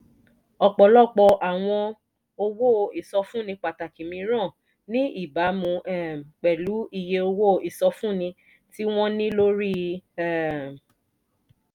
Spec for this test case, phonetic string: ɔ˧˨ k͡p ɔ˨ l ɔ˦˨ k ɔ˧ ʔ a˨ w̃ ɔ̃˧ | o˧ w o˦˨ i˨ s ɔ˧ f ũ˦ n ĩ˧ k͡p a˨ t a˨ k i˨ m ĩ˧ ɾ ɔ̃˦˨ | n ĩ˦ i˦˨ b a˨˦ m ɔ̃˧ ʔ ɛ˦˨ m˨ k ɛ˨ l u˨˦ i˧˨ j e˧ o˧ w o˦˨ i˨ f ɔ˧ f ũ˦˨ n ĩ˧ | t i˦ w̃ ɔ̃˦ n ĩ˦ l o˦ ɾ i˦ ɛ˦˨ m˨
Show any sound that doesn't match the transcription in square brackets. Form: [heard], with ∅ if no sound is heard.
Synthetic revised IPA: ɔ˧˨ k͡p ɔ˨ l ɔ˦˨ [k͡p] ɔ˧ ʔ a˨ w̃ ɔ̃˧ | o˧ w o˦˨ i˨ s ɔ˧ f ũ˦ n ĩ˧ k͡p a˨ t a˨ k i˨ m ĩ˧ ɾ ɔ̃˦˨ | n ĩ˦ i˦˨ b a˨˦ m [ũ˧] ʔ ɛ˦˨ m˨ [k͡p] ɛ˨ l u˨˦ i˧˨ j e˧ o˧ w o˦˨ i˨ [s] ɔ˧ f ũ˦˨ n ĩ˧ | t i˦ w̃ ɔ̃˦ n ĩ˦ l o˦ ɾ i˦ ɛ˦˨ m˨